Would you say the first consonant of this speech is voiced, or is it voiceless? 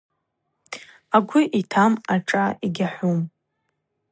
voiced